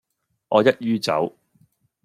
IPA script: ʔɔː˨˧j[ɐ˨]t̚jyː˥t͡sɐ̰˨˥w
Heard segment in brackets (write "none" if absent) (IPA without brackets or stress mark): ɐ˥